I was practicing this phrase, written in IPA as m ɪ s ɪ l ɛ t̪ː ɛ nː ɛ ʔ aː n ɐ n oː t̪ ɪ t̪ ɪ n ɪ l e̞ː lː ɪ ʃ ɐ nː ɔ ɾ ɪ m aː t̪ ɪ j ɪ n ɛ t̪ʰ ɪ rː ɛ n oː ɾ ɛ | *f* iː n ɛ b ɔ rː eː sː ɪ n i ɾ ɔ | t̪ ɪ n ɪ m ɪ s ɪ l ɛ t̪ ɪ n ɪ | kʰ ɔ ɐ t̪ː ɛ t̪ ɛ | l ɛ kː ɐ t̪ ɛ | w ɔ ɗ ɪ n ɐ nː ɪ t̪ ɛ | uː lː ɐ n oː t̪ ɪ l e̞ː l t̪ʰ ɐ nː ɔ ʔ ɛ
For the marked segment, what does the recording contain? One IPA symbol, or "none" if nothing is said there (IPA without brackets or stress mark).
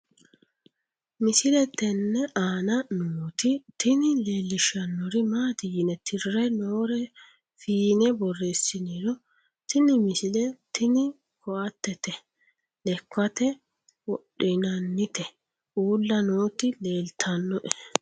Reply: f